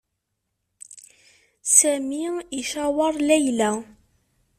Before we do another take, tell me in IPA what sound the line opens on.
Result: s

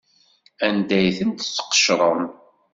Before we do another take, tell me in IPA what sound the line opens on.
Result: æ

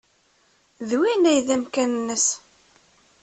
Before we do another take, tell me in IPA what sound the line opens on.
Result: ð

